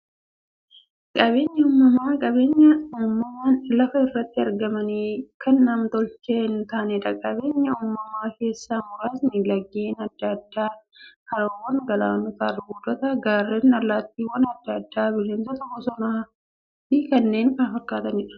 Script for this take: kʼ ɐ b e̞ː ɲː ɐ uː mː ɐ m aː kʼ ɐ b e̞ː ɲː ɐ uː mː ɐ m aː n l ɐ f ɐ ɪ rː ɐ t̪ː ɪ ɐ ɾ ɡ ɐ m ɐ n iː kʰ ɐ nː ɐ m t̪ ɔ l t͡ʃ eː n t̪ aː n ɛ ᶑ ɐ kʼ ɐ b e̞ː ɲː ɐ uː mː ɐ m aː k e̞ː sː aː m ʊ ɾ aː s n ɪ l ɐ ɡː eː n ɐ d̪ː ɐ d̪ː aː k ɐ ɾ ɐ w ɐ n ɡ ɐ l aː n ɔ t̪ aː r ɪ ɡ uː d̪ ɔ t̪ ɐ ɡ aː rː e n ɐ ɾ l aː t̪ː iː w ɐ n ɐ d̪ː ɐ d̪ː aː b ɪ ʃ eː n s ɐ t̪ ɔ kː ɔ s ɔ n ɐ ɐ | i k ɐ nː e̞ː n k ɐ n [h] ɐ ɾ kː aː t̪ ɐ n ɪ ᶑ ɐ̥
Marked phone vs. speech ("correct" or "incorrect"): incorrect